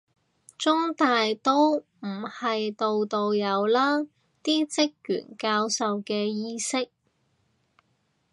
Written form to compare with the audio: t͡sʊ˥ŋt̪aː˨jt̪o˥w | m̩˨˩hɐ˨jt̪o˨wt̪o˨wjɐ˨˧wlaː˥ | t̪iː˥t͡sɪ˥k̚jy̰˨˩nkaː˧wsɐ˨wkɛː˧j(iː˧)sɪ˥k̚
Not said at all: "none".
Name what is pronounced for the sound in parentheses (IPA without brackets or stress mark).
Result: iː˥